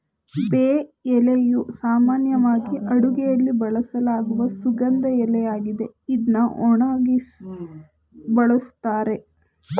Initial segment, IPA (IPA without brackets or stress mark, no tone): b